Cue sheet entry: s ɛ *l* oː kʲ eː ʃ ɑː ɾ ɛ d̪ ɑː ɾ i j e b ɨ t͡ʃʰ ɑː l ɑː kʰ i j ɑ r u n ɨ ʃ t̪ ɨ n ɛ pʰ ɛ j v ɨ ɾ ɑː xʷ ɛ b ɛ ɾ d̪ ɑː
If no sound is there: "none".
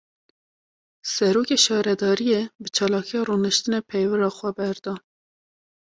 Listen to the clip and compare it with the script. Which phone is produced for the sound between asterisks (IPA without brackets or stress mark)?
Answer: ɾ